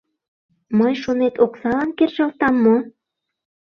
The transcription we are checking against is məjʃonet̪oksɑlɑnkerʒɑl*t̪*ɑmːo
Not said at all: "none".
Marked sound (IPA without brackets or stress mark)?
t̪